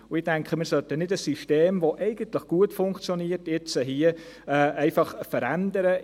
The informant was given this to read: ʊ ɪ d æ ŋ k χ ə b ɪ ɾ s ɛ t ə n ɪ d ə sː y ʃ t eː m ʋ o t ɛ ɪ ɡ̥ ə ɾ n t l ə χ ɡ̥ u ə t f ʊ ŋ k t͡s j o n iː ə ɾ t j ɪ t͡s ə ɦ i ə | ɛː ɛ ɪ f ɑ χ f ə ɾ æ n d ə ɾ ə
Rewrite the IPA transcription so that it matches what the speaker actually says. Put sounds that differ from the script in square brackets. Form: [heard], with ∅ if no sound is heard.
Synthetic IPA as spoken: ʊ ɪ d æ ŋ k χ ə [m] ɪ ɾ s [œ] t ə n ɪ d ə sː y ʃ t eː m ʋ o [ʔ] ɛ ɪ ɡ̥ ə [∅] n t l ə χ ɡ̥ u ə t f ʊ ŋ k t͡s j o n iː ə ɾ t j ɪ t͡s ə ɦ i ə | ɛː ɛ ɪ f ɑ χ f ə ɾ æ n d ə ɾ ə